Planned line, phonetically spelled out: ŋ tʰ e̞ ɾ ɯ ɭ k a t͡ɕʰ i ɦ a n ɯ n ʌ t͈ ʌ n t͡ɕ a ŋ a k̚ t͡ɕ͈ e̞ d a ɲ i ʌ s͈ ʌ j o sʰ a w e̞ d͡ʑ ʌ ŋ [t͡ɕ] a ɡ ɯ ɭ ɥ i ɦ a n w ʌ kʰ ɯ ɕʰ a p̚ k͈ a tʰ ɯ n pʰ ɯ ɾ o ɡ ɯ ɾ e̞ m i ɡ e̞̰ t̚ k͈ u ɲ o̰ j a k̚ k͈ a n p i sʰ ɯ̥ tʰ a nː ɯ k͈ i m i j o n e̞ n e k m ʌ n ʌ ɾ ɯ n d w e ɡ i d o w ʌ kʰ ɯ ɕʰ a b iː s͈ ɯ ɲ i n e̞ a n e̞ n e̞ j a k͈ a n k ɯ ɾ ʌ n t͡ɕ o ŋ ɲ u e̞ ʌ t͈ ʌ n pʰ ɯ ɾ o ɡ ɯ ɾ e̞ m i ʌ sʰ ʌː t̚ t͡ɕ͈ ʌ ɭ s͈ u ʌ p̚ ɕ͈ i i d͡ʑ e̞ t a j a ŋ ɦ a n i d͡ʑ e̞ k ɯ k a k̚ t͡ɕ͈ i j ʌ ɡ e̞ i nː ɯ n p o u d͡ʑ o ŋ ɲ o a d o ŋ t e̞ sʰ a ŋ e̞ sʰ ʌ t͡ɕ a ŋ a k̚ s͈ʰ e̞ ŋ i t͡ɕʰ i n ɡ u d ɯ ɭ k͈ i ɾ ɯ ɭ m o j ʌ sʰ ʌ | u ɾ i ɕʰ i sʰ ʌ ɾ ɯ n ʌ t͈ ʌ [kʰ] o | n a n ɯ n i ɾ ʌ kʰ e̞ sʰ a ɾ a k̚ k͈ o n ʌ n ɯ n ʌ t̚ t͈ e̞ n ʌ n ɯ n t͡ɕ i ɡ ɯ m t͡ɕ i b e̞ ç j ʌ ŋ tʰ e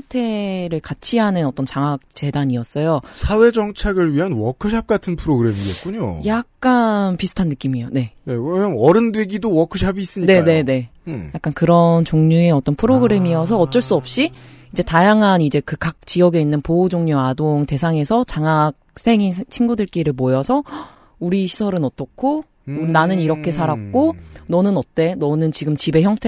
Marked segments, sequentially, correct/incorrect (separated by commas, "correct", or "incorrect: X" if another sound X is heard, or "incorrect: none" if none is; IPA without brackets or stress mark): incorrect: t͡ɕʰ, correct